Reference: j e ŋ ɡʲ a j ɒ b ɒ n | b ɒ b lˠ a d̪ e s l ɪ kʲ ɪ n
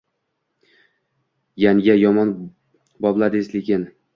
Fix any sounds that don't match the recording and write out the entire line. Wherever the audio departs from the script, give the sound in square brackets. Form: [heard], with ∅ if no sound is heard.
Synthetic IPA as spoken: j [a] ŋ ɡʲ a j ɒ [m] ɒ n | b ɒ b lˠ a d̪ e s l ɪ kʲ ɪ n